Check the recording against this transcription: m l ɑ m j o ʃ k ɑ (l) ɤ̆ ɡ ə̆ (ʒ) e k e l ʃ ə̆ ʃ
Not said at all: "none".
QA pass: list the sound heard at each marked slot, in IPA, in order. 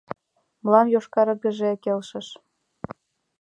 ɾ, ʒ

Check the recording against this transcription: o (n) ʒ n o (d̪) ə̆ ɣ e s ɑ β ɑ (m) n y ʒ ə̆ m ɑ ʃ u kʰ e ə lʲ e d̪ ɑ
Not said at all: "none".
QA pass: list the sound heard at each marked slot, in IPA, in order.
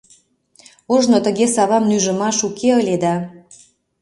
none, t̪, m

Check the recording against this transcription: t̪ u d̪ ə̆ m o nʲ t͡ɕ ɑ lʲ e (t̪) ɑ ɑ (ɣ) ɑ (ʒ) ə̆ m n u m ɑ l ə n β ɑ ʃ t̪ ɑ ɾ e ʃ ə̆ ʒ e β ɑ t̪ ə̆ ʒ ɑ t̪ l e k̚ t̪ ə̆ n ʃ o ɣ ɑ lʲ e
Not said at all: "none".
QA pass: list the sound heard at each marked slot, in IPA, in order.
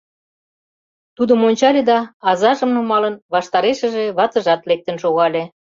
d̪, z, ʒ

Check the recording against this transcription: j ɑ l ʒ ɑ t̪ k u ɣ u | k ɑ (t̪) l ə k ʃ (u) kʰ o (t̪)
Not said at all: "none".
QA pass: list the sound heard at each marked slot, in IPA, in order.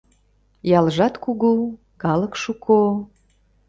none, u, none

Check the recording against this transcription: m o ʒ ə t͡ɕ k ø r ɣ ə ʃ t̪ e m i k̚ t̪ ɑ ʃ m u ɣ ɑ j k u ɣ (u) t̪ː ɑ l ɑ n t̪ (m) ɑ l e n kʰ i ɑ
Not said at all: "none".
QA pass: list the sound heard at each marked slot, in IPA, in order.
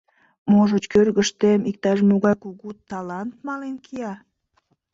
u, m

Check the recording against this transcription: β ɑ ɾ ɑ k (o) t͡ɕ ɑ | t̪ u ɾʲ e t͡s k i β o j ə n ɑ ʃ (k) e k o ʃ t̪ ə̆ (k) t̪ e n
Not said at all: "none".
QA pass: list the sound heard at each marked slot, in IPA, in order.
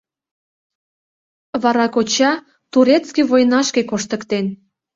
o, k, k

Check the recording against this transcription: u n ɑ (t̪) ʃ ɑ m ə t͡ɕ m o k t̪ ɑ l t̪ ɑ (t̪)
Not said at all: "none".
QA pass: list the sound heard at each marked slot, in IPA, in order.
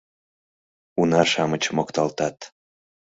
none, t̪

